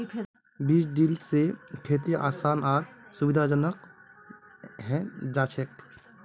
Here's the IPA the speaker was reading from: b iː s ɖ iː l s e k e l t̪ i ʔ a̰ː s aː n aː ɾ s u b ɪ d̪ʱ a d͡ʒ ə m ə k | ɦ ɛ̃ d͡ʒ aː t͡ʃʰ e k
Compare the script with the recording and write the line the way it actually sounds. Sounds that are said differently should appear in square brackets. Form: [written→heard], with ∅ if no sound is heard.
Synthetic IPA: b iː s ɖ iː l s e [k→kʰ] e [l→∅] t̪ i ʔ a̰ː s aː n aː ɾ s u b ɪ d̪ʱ a d͡ʒ ə [m→n] ə k | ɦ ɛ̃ d͡ʒ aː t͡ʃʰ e k